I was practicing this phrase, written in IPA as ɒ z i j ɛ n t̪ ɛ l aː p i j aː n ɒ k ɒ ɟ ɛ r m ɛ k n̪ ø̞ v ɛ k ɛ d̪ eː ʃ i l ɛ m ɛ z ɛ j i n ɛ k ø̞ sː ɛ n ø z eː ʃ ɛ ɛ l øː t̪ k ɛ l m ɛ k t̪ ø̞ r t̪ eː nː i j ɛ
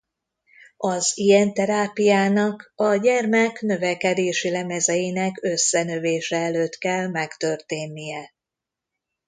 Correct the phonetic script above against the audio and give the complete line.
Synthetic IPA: ɒ z i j ɛ n t̪ ɛ ɾ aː p i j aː n ɒ k ɒ ɟ ɛ r m ɛ k n̪ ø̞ v ɛ k ɛ d̪ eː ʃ i l ɛ m ɛ z ɛ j i n ɛ k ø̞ sː ɛ n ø v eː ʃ ɛ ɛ l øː t̪ k ɛ l m ɛ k t̪ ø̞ r t̪ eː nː i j ɛ